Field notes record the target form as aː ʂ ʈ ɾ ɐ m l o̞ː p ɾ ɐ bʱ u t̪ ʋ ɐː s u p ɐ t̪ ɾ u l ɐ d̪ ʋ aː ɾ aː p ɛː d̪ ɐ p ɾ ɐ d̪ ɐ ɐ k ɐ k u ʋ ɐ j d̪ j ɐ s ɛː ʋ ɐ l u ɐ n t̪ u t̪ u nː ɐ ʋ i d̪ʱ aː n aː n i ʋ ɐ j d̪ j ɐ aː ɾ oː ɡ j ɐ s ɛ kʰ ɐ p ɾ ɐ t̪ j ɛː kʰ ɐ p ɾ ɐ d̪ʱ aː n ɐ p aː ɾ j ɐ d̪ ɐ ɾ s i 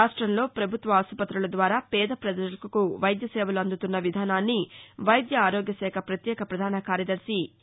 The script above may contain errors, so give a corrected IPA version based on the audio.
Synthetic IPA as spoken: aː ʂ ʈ ɾ ɐ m l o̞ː p ɾ ɐ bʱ u t̪ ʋ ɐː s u p ɐ t̪ ɾ u l ɐ d̪ ʋ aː ɾ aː p ɛː d̪ ɐ p ɾ ɐ d̪ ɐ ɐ k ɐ k u ʋ ɐ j d̪ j ɐ s ɛː ʋ ɐ l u ɐ n d̪ u t̪ u nː ɐ ʋ i d̪ʱ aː n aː nː i ʋ ɐ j d̪ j ɐ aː ɾ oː ɡ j ɐ s ɛː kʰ ɐ p ɾ ɐ t̪ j ɛː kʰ ɐ p ɾ ɐ d̪ʱ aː n ɐ k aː ɾ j ɐ d̪ ɐ ɾ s i